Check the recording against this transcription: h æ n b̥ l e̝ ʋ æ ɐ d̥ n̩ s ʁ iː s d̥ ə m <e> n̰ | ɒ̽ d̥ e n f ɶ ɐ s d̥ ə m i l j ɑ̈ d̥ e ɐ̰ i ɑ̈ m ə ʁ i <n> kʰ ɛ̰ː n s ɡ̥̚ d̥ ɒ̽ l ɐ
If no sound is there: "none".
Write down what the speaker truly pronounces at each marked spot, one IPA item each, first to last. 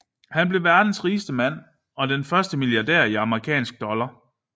æ, none

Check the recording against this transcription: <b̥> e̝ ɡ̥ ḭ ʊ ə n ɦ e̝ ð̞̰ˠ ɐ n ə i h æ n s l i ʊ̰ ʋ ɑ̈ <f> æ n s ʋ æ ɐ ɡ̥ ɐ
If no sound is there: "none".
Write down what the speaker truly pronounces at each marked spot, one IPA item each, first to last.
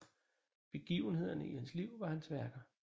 b̥, h

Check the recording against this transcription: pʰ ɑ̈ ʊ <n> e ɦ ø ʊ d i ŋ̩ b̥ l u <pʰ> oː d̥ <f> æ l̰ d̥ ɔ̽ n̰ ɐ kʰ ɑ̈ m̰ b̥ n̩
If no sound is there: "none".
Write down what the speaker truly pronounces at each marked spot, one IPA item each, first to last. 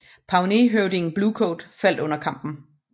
n, kʰ, f

